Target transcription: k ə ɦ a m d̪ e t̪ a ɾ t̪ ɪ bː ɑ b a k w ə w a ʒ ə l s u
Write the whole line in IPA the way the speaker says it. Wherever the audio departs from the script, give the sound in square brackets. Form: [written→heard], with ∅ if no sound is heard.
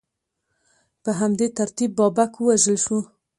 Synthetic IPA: [k→p] ə ɦ a m d̪ e t̪ a ɾ t̪ [ɪ→i] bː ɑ b a k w ə w a ʒ ə l [s→ʃ] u